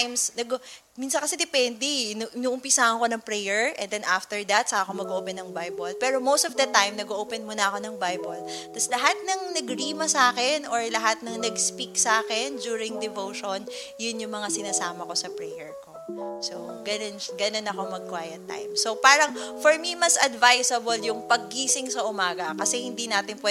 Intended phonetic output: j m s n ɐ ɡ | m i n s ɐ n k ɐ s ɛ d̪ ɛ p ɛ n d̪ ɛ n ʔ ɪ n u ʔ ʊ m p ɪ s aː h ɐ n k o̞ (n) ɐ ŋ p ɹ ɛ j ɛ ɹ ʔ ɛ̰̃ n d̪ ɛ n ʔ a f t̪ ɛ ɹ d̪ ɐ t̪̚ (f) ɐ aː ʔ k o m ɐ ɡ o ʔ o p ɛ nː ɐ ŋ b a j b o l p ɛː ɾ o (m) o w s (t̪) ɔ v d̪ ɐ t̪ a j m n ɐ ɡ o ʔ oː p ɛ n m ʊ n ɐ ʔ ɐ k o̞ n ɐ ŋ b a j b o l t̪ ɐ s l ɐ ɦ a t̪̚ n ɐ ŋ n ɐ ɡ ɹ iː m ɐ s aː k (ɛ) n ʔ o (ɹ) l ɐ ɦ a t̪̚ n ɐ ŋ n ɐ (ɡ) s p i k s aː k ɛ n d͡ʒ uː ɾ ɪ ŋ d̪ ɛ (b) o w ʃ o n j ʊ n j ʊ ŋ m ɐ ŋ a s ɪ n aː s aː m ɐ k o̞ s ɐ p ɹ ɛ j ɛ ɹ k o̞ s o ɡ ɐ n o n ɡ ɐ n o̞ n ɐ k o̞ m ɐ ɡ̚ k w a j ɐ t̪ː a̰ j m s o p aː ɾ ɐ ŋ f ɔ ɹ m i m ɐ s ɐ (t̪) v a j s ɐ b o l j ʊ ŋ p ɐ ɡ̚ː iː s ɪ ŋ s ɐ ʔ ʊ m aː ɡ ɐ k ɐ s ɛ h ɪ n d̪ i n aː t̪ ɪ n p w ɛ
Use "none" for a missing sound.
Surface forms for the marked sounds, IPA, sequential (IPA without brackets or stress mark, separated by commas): n, s, m, t̪, ɛ, ɹ, ɡ, v, d̪